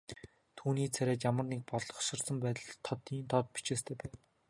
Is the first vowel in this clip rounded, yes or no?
yes